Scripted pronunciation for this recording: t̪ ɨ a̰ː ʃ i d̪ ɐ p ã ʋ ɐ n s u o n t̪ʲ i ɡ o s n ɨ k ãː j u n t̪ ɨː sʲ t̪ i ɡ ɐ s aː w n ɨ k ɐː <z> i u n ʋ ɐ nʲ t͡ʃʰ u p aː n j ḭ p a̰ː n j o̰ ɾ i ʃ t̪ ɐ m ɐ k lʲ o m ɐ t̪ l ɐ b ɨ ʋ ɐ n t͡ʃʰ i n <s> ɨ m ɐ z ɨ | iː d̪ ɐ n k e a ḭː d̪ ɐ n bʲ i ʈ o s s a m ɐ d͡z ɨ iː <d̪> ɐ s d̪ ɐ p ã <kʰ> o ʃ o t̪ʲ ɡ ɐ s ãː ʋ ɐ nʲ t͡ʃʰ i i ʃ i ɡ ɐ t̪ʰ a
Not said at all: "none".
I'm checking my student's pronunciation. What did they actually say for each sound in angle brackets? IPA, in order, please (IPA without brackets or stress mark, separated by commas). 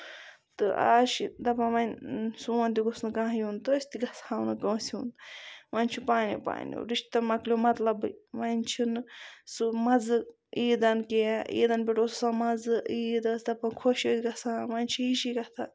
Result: s, s, d̪, kʰ